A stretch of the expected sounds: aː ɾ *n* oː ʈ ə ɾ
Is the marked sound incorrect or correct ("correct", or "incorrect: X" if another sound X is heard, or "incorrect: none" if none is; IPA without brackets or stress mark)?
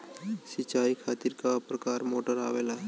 incorrect: m